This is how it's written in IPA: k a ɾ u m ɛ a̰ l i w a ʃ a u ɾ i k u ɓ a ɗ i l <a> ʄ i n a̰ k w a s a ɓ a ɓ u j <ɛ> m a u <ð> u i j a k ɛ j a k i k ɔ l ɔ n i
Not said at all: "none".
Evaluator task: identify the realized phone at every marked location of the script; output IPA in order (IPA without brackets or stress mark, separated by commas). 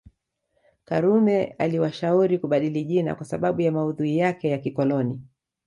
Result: i, a, ð